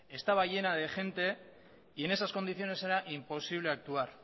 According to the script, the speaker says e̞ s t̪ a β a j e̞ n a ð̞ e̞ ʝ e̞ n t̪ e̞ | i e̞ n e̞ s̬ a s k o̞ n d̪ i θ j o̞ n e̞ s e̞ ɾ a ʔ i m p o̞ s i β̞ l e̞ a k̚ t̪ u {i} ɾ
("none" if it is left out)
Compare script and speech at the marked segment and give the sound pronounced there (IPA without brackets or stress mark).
a